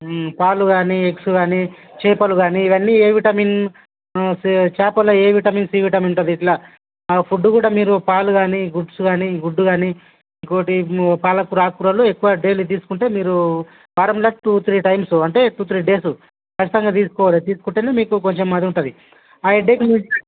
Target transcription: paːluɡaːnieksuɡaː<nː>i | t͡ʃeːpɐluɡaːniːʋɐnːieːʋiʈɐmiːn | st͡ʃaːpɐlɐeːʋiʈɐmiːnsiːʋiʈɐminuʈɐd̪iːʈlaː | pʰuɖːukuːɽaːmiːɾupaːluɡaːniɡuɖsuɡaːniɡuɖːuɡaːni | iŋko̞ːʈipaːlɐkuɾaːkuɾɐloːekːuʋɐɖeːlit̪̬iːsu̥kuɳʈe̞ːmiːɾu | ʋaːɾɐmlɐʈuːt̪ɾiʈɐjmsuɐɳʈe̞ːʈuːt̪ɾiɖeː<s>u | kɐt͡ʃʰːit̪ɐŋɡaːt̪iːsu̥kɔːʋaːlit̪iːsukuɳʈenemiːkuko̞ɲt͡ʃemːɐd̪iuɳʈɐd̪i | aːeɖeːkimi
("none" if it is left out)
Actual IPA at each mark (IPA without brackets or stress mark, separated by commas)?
n, s